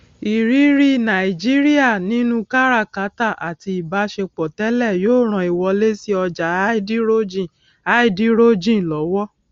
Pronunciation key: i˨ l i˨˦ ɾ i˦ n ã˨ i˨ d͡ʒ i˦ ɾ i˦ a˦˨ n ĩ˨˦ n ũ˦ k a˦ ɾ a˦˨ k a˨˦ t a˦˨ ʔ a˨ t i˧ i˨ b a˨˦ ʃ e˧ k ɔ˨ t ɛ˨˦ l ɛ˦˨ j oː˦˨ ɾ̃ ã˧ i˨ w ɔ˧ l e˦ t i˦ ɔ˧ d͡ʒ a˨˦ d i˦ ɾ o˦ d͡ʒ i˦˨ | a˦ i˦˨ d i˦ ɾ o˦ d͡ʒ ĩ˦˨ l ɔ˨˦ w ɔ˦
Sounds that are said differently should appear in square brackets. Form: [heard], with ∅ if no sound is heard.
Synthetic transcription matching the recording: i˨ [ɾ] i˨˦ ɾ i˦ n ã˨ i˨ d͡ʒ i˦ ɾ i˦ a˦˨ n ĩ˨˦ n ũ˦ k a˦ ɾ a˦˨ k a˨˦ t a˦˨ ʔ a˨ t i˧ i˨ b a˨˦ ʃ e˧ [k͡p] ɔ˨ t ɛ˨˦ l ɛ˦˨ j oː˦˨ ɾ̃ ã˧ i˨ w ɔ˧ l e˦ [s] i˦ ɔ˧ d͡ʒ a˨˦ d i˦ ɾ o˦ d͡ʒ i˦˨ | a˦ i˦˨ d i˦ ɾ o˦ d͡ʒ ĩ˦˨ l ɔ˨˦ w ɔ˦